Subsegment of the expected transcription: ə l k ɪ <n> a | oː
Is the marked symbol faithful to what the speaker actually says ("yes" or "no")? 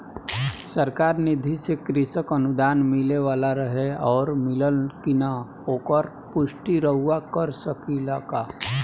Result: yes